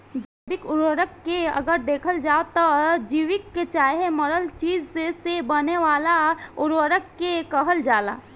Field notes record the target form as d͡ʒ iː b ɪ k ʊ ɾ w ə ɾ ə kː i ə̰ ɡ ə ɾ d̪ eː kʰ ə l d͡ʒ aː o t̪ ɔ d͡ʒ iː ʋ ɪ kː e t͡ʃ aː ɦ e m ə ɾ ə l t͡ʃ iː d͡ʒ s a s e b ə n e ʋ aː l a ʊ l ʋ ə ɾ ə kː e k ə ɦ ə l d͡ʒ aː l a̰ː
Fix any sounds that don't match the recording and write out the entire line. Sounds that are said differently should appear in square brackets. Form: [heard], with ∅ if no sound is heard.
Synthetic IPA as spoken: d͡ʒ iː b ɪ k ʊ ɾ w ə ɾ ə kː [e] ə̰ ɡ ə ɾ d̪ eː kʰ ə l d͡ʒ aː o t̪ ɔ d͡ʒ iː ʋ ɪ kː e t͡ʃ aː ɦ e m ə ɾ ə l t͡ʃ iː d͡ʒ s [e] s e b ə n e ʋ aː l a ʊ [ɾ] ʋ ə ɾ ə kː e k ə ɦ ə l d͡ʒ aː l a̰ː